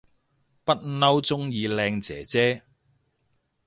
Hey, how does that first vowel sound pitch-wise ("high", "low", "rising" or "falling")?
high